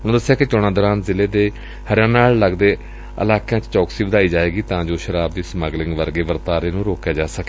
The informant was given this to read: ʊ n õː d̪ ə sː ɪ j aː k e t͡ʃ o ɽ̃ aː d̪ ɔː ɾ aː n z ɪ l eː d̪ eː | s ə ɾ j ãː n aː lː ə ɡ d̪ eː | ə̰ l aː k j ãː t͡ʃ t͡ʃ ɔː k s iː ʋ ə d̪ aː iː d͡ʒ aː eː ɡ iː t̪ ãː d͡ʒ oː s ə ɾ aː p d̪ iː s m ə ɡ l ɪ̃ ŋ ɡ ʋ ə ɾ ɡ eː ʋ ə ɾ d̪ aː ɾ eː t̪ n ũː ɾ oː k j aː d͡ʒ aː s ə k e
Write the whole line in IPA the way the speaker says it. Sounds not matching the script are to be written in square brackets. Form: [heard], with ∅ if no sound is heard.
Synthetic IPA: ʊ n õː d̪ ə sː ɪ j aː k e t͡ʃ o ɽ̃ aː d̪ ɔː ɾ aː n z ɪ l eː d̪ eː | [h] ə ɾ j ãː n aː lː ə ɡ d̪ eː | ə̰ l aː k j ãː t͡ʃ t͡ʃ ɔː k s iː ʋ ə d̪ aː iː d͡ʒ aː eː ɡ iː t̪ ãː d͡ʒ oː [ʃ] ə ɾ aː [b] d̪ iː s m ə ɡ l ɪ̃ ŋ ɡ ʋ ə ɾ ɡ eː ʋ ə ɾ [t̪] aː ɾ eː [∅] n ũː ɾ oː k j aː d͡ʒ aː s ə k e